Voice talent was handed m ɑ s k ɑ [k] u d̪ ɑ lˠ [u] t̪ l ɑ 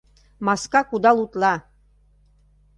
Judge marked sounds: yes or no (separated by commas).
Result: yes, yes